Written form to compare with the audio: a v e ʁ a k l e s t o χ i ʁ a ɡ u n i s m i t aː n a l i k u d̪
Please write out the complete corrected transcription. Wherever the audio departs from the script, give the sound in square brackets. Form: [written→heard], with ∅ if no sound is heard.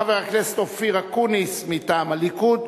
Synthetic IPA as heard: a v e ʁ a k l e s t o [χ→f] i ʁ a [ɡ→k] u n i s m i t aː [n→m] a l i k u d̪